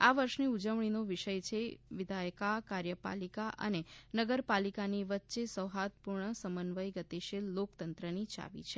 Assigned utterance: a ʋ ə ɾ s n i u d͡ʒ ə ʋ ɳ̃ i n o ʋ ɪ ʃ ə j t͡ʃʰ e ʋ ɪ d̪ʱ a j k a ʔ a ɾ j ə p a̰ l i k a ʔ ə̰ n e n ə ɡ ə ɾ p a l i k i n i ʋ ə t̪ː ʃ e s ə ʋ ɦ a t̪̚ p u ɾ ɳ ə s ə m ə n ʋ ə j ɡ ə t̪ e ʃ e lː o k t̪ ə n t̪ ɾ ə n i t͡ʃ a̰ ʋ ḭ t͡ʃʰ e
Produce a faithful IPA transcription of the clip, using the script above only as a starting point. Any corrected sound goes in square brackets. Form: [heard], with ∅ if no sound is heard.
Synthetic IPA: a ʋ ə ɾ [ʃ] n i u d͡ʒ ə ʋ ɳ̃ i n o ʋ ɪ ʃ ə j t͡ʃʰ e ʋ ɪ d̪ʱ a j k a [k] a ɾ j ə p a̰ l i k a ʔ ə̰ n e n ə ɡ ə ɾ p a l i k [a] n i ʋ ə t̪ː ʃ e s ə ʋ ɦ a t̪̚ p u ɾ ɳ ə s ə m ə n ʋ ə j ɡ ə t̪ e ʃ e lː o k t̪ ə n t̪ ɾ ə n i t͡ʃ a̰ ʋ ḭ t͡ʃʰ e